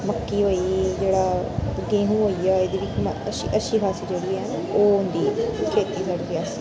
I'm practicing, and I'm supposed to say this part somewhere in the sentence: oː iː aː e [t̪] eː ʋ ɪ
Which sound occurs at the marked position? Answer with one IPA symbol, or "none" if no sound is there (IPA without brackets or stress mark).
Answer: d̪